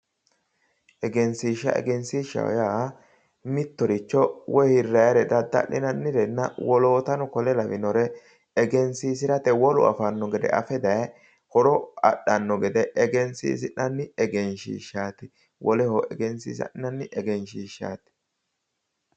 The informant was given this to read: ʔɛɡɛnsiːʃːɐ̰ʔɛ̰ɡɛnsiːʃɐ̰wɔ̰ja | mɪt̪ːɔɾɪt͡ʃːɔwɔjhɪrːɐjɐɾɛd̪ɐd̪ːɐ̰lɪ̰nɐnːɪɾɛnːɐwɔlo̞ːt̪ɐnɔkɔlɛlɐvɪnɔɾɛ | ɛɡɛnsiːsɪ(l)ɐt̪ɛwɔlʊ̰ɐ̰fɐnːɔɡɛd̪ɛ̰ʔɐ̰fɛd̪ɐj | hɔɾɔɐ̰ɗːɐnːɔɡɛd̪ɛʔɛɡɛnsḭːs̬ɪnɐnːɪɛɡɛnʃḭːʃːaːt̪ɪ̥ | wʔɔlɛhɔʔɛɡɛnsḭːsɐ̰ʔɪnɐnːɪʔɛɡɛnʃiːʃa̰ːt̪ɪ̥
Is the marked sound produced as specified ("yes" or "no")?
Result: no